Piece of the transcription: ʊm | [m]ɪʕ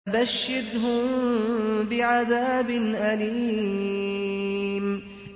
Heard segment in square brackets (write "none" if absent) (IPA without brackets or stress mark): b